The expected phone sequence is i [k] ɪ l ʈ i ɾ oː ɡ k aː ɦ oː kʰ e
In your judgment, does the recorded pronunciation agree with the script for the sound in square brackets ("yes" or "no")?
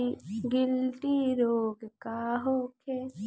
no